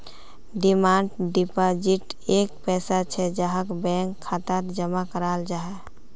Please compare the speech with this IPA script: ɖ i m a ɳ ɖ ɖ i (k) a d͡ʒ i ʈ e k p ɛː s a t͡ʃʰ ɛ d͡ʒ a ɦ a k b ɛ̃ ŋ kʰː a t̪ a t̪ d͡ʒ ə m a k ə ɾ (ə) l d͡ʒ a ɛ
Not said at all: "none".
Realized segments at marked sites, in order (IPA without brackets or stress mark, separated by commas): p, a